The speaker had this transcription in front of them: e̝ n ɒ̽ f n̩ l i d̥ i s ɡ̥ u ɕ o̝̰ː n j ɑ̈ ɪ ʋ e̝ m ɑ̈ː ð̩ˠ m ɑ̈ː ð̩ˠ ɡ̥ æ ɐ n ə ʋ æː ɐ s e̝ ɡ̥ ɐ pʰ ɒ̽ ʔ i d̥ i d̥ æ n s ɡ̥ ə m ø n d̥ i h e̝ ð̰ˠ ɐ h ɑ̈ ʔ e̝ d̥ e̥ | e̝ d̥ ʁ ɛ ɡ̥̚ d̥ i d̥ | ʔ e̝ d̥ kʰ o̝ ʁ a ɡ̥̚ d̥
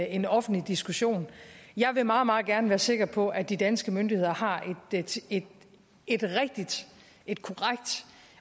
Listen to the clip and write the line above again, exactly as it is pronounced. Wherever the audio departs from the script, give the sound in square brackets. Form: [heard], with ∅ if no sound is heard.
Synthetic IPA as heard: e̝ n ɒ̽ f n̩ l i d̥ i s ɡ̥ u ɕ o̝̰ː n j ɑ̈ ɪ ʋ e̝ m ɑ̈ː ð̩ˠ m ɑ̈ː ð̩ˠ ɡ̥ æ ɐ n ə ʋ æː ɐ s e̝ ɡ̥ ɐ pʰ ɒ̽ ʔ [æ] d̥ i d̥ æ n s ɡ̥ ə m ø n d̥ i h e̝ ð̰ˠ ɐ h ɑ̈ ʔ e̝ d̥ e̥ | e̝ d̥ ʁ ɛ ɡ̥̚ d̥ i d̥ | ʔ e̝ d̥ kʰ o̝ ʁ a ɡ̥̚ d̥